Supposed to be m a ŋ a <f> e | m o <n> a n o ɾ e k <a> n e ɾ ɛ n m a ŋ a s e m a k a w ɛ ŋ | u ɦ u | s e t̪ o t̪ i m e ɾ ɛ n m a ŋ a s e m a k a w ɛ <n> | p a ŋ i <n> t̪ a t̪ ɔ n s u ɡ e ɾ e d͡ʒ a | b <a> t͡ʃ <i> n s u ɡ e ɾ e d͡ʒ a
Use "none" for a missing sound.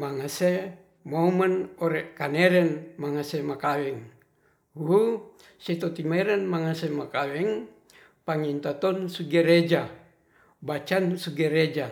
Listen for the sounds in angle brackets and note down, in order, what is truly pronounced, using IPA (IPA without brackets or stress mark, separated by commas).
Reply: s, m, a, ŋ, n, a, a